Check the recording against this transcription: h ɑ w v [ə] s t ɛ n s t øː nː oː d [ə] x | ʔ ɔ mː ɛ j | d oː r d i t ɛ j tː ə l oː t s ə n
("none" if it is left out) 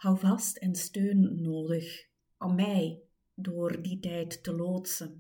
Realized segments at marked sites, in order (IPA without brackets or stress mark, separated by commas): ɑ, ə